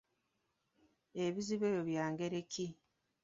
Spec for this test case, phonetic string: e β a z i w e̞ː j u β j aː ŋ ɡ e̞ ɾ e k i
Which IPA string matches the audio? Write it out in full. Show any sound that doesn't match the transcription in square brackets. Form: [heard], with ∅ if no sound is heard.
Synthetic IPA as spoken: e β [i] z i [β] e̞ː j [o] β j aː ŋ ɡ e̞ ɾ e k i